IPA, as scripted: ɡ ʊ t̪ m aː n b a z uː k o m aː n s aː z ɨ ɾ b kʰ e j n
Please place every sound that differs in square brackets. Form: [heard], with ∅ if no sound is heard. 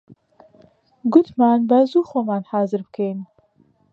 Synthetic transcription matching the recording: ɡ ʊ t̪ m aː n b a z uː [x] o m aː n [h] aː z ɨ ɾ b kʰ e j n

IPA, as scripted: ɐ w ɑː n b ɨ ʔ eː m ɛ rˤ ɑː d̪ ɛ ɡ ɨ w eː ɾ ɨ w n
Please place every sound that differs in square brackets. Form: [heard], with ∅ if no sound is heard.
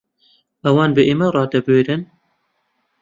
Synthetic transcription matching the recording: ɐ w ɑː n b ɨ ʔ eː m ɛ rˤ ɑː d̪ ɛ [b] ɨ w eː ɾ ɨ [∅] n

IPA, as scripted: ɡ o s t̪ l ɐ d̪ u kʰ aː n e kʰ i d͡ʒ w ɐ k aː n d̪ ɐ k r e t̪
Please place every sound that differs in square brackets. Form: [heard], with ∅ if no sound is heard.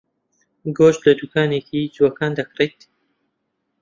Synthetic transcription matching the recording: ɡ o [ʃ] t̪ l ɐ d̪ u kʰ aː n e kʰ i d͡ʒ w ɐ k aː n d̪ ɐ k r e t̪

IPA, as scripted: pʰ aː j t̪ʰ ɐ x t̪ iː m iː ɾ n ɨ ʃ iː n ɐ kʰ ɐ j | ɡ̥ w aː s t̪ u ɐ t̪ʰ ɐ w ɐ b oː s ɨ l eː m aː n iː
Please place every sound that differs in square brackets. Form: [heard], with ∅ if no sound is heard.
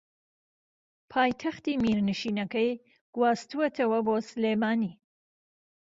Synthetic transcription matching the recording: pʰ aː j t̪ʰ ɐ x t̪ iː m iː ɾ n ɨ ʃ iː n ɐ [k] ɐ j | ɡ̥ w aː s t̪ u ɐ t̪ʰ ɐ w ɐ b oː s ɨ l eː m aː n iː

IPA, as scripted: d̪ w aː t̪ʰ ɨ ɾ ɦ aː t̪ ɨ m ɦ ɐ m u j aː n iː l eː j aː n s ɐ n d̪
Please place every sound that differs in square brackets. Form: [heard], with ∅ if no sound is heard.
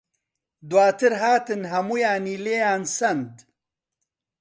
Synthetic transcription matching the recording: d̪ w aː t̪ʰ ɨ ɾ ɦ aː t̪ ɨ [n] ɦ ɐ m u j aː n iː l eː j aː n s ɐ n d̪

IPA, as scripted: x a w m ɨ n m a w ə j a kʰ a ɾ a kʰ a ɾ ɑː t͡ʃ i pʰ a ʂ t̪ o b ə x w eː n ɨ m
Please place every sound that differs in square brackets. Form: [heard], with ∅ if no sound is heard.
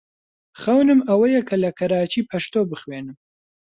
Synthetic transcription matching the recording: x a w [n] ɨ [∅] m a w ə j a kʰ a [l] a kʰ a ɾ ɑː t͡ʃ i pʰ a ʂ t̪ o b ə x w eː n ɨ m

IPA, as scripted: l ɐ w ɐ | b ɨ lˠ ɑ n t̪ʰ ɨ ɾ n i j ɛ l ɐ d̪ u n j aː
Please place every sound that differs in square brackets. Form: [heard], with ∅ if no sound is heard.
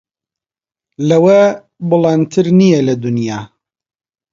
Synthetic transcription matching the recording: l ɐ w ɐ | b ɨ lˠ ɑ n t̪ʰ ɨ ɾ n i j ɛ l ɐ d̪ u n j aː

